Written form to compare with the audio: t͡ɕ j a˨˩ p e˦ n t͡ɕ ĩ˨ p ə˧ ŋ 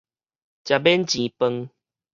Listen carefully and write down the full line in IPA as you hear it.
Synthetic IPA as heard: t͡ɕ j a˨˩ b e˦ n t͡ɕ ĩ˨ p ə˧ ŋ